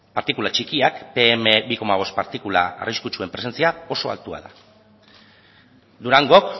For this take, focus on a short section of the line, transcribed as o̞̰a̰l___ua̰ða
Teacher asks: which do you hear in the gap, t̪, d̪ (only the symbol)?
t̪